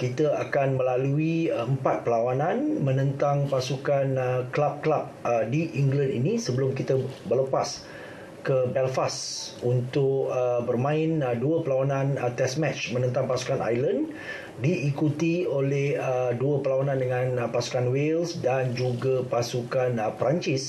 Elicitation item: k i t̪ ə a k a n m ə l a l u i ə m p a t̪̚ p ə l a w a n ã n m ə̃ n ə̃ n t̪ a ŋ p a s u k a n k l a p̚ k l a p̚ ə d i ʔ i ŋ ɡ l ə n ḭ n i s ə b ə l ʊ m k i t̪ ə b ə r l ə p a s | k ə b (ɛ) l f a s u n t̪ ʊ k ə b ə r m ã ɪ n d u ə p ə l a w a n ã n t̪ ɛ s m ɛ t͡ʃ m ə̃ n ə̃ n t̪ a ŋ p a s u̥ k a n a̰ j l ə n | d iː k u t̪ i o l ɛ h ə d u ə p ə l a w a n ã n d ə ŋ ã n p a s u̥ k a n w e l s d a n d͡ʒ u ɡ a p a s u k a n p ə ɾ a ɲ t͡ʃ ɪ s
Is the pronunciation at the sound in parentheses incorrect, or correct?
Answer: correct